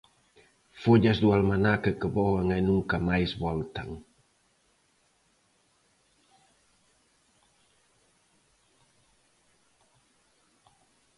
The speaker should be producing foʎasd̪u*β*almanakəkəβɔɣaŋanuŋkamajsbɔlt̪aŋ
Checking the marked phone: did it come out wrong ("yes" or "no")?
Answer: yes